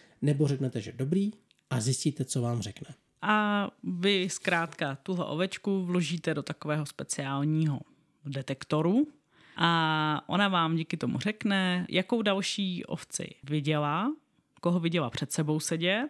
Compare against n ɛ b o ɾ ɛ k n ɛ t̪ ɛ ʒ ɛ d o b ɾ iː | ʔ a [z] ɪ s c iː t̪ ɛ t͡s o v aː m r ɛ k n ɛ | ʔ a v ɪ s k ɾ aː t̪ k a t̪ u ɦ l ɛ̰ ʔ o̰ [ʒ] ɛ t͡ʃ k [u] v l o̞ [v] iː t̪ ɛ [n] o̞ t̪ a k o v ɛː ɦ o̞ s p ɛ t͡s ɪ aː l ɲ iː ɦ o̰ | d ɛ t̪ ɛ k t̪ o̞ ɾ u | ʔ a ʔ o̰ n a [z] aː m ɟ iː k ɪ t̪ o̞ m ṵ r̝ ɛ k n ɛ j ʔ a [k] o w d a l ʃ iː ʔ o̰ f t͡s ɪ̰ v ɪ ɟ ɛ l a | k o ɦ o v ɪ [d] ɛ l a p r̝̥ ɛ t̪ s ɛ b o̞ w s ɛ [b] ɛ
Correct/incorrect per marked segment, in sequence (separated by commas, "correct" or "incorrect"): correct, incorrect, correct, incorrect, incorrect, incorrect, correct, incorrect, incorrect